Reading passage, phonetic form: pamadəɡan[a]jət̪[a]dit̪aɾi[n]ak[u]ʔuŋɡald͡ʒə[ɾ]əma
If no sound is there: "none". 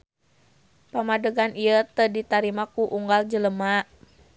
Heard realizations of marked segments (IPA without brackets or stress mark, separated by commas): i, ə, m, u, l